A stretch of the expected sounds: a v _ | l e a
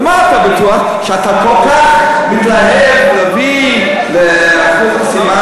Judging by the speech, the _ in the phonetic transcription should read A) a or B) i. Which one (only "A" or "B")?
B